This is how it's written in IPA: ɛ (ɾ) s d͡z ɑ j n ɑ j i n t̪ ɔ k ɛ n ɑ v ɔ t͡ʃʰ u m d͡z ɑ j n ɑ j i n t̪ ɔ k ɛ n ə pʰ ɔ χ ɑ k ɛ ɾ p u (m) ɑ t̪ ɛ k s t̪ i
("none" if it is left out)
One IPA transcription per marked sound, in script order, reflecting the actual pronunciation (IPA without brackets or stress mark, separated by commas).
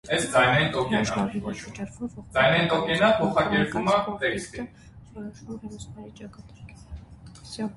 none, m